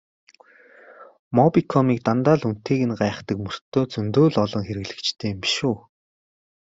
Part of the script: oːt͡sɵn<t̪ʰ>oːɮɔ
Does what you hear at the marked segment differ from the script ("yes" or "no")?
yes